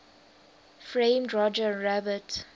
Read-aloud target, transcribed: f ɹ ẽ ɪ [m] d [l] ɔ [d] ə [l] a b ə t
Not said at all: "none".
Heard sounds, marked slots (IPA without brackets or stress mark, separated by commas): m, ɹ, d͡ʒ, ɹ